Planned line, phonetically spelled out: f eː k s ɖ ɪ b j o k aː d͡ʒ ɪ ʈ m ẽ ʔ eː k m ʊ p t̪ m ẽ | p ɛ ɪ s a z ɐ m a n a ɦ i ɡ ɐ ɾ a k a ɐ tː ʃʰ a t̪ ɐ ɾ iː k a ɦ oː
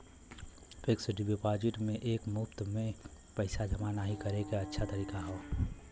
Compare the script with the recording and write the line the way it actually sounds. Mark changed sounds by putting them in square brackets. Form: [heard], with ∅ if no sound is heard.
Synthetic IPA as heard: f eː k s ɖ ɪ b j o [p] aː d͡ʒ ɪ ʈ m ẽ ʔ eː k m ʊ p t̪ m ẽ | p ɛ ɪ s a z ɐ m a n a ɦ i [k] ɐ ɾ [e] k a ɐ tː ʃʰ a t̪ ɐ ɾ iː k a ɦ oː